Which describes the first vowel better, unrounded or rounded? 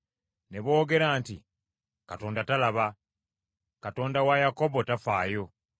unrounded